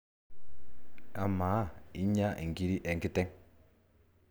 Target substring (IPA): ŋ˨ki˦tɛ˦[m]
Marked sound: incorrect: ŋ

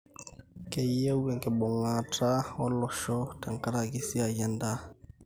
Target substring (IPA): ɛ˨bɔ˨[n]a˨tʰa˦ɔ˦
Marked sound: incorrect: ŋ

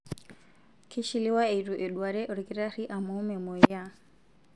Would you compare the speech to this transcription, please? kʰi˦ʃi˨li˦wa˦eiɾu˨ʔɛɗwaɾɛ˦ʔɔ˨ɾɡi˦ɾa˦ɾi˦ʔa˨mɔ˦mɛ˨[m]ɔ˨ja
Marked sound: correct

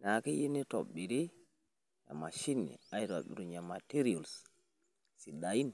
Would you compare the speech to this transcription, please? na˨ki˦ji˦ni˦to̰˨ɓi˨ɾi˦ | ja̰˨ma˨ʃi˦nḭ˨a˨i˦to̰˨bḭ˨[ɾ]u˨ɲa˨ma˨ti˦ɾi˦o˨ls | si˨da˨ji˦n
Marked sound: correct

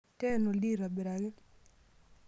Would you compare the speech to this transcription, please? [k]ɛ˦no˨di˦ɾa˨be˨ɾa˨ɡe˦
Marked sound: incorrect: t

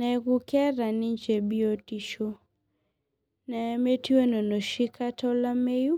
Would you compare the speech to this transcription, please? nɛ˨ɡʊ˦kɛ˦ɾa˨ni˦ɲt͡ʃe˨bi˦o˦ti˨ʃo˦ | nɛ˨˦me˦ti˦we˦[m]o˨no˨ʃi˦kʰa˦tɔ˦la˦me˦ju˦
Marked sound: incorrect: n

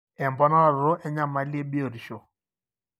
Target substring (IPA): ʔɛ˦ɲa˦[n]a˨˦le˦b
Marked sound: incorrect: m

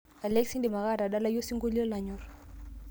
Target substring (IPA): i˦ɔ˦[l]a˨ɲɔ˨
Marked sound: correct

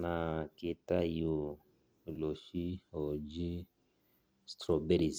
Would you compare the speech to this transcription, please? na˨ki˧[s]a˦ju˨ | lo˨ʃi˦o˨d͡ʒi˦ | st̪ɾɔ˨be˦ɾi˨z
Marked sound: incorrect: t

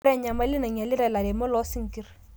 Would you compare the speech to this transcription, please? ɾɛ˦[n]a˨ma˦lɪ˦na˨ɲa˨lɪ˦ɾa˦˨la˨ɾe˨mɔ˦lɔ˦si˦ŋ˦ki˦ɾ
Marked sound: incorrect: ɲ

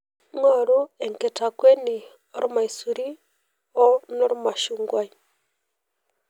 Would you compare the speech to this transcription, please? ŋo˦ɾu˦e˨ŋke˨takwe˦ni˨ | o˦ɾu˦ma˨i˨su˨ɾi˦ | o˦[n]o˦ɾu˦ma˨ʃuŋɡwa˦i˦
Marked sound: correct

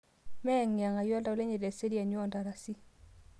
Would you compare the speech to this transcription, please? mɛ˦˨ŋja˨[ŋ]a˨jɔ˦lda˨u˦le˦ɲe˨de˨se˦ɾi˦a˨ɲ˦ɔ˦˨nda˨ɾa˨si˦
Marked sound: correct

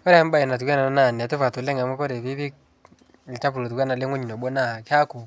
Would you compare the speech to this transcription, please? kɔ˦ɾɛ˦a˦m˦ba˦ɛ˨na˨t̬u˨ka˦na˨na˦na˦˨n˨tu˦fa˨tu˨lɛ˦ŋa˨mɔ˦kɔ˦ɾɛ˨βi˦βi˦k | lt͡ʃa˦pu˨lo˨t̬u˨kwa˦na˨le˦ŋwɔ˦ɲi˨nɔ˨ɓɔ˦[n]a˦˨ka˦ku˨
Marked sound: correct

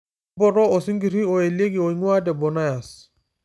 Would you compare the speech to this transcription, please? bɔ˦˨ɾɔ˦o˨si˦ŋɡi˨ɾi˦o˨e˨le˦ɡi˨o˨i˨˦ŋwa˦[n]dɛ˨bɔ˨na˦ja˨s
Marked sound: incorrect: none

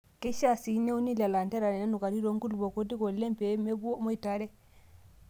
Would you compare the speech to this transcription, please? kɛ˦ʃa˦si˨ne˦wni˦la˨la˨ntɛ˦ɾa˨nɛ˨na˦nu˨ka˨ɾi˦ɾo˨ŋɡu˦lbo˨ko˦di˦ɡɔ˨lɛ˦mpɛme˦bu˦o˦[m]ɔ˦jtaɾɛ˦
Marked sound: correct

